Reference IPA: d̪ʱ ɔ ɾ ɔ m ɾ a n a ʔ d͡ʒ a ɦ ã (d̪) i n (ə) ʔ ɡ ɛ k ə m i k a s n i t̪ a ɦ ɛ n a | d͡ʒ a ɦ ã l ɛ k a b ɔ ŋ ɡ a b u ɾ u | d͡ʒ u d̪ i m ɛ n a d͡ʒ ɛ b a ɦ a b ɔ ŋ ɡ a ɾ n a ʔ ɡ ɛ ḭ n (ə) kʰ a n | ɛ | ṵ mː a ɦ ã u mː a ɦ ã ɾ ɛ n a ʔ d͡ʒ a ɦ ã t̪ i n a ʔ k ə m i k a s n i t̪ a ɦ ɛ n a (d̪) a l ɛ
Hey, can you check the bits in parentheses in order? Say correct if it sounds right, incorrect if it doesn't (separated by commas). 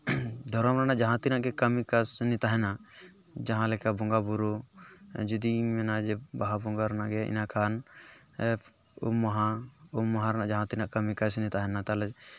incorrect, incorrect, incorrect, incorrect